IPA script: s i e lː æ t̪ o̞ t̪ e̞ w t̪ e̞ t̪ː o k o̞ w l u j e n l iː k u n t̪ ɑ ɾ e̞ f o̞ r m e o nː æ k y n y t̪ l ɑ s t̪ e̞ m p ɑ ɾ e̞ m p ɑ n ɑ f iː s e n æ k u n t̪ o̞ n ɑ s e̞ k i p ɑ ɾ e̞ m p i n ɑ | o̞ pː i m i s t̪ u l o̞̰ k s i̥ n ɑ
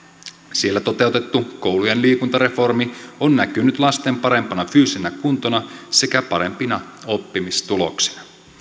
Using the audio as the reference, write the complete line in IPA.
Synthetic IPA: s i e lː æ t̪ o̞ t̪ e̞ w t̪ e̞ t̪ː u k o̞ w l u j e n l iː k u n t̪ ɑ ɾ e̞ f o̞ r m i o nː æ k y n y t̪ l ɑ s t̪ e̞ m p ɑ ɾ e̞ m p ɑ n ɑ f yː s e n æ k u n t̪ o̞ n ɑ s e̞ k æ p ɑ ɾ e̞ m p i n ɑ | o̞ pː i m i s t̪ u l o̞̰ k s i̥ n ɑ

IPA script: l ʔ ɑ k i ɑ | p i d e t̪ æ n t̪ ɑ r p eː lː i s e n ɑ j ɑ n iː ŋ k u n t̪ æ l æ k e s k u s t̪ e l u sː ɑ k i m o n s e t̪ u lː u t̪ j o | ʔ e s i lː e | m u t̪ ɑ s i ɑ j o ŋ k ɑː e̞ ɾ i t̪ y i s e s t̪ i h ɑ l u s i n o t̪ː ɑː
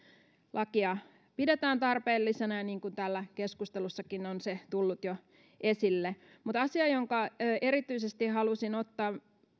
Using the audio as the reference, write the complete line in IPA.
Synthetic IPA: l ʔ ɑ k i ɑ | p i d e t̪ æː n t̪ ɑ r p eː lː i s e n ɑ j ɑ n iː ŋ k u n t̪ æ lː æ k e s k u s t̪ e l u sː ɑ k i n o n s e t̪ u lː u t̪ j o | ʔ e s i lː e | m u t̪ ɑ s i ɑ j o ŋ k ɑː e̞ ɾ i t̪ y i s e s t̪ i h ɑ l u s i n o t̪ː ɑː

